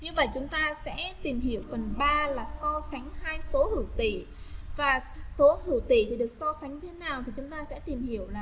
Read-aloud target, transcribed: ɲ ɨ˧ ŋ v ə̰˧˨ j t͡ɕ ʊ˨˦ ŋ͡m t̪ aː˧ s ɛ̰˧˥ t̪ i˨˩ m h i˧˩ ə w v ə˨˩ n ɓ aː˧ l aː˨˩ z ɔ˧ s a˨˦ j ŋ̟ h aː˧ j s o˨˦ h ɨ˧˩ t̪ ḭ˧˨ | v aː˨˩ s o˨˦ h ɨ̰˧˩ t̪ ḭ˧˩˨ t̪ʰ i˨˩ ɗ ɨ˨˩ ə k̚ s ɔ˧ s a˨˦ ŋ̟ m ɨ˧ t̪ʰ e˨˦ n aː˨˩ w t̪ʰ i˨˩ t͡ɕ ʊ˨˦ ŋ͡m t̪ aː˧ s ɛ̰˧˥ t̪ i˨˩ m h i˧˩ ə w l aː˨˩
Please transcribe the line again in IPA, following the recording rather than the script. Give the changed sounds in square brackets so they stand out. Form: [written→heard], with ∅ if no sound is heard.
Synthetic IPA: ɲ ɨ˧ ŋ v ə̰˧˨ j t͡ɕ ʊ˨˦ ŋ͡m t̪ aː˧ s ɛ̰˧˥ t̪ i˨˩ m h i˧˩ ə w [v→f] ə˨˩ n ɓ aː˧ l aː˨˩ [z→s] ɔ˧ s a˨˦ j ŋ̟ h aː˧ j s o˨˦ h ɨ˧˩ t̪ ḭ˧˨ | v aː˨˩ s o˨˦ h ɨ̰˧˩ t̪ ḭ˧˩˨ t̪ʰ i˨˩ ɗ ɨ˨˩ ə k̚ s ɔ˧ s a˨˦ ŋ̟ [m→ɲ] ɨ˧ t̪ʰ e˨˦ n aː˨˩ w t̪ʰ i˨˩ t͡ɕ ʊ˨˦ ŋ͡m t̪ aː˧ s ɛ̰˧˥ t̪ i˨˩ m h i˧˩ ə w l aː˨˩

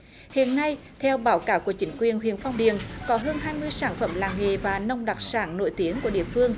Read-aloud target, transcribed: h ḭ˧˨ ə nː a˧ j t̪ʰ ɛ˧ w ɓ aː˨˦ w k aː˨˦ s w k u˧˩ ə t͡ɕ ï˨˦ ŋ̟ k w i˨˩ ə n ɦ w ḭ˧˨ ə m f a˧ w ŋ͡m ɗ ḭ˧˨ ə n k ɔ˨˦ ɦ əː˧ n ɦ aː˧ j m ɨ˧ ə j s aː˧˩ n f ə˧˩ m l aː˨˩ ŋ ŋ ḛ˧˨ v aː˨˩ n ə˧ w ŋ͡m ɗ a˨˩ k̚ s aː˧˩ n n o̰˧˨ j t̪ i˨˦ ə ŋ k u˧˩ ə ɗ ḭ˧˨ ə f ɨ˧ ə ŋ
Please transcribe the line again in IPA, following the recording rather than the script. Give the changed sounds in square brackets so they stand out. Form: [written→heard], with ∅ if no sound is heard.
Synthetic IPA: h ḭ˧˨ ə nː a˧ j t̪ʰ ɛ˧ w ɓ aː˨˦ w k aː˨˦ [s→∅] w k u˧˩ ə t͡ɕ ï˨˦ ŋ̟ k w i˨˩ ə n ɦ w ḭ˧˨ ə [m→n] f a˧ w ŋ͡m ɗ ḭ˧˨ ə n k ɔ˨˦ ɦ əː˧ n ɦ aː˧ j m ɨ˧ ə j s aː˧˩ n f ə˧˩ m l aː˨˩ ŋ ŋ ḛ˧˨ v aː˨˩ n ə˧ w ŋ͡m ɗ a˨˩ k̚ s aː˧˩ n n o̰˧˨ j t̪ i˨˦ ə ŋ k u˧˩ ə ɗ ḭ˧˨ ə f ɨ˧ ə ŋ

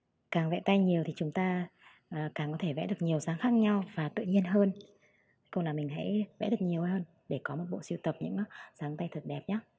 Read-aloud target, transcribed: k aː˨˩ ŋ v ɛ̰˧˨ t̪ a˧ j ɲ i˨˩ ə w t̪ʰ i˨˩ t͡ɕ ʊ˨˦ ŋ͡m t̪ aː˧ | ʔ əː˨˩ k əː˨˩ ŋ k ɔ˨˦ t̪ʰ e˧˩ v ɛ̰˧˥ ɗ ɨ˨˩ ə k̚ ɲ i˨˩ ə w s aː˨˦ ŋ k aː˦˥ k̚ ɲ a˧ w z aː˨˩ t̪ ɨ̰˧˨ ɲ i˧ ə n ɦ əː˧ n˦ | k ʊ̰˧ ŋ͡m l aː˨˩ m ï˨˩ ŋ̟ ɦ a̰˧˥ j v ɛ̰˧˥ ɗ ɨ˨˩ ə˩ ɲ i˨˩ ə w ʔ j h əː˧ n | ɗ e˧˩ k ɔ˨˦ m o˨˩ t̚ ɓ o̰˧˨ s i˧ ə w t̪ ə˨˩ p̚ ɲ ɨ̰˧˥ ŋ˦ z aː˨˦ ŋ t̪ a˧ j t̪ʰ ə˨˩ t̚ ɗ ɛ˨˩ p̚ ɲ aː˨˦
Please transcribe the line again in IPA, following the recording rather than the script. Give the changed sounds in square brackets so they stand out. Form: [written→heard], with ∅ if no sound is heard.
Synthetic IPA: k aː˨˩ ŋ v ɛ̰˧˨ t̪ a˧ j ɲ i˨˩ ə w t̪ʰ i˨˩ t͡ɕ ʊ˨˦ ŋ͡m t̪ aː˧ | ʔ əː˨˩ k [əː˨˩→aː˨˩] ŋ k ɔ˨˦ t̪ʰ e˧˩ v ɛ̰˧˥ ɗ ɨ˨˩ ə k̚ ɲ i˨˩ ə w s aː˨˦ ŋ [k→x] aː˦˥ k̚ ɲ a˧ w [z→v] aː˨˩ t̪ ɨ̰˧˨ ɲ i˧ ə n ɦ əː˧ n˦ | k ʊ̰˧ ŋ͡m l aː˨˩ m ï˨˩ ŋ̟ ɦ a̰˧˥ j v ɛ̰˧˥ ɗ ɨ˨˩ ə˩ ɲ i˨˩ ə w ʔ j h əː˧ n | ɗ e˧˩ k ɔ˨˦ m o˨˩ t̚ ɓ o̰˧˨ s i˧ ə w t̪ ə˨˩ p̚ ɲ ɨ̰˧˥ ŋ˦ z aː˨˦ ŋ t̪ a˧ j t̪ʰ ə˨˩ t̚ ɗ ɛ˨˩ p̚ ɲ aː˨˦

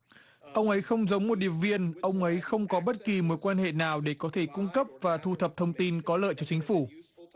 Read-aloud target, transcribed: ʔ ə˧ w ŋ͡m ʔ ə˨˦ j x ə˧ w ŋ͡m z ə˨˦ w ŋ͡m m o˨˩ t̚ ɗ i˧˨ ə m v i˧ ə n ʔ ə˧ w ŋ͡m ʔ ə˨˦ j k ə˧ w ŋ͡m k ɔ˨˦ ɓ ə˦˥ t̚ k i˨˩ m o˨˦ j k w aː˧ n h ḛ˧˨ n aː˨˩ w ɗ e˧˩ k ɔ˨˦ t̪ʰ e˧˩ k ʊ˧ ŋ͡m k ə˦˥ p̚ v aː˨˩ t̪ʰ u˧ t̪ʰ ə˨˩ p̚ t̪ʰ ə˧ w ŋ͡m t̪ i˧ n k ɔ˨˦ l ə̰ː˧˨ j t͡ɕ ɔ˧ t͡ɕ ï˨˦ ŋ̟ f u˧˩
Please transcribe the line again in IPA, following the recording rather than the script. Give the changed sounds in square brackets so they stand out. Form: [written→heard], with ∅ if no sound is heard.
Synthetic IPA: ʔ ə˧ w ŋ͡m ʔ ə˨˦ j x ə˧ w ŋ͡m z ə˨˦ w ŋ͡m m o˨˩ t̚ ɗ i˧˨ ə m v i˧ ə n ʔ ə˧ w ŋ͡m ʔ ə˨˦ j [k→x] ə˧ w ŋ͡m k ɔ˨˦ ɓ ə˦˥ t̚ k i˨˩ m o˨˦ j k w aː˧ n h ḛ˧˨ n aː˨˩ w ɗ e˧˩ k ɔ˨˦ t̪ʰ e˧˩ k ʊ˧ ŋ͡m k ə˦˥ p̚ v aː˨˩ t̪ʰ u˧ t̪ʰ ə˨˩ p̚ t̪ʰ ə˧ w ŋ͡m t̪ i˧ n k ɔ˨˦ l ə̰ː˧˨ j t͡ɕ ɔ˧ t͡ɕ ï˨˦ ŋ̟ f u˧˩

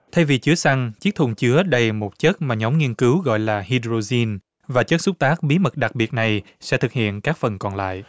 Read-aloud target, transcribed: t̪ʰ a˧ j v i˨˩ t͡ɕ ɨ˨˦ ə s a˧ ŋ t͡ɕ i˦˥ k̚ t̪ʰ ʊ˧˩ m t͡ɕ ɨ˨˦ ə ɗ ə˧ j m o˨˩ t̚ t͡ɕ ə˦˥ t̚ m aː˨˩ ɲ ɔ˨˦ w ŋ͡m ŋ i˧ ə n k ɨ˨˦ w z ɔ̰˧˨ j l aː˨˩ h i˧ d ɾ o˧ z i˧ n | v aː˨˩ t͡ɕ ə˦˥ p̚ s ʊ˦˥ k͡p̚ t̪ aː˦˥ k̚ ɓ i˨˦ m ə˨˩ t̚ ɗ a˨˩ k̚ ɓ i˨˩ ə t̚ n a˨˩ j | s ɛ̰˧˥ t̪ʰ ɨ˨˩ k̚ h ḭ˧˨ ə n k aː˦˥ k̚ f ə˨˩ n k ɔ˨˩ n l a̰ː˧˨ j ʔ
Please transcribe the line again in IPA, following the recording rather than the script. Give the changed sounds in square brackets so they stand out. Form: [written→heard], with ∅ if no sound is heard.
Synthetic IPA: t̪ʰ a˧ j v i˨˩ t͡ɕ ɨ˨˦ ə s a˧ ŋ t͡ɕ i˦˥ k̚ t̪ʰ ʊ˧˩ [m→ŋ͡m] t͡ɕ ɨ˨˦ ə ɗ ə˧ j m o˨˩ t̚ t͡ɕ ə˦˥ t̚ m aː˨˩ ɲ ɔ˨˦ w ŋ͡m ŋ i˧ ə n k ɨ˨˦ w [z→ɣ] ɔ̰˧˨ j l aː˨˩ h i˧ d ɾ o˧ z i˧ n | v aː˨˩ t͡ɕ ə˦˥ [p̚→t̚] s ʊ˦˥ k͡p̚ t̪ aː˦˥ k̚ ɓ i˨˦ m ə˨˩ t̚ ɗ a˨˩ k̚ ɓ i˨˩ ə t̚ n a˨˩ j | s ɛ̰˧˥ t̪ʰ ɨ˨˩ k̚ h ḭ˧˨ ə n k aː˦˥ k̚ f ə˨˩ n k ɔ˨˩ n l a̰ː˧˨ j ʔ

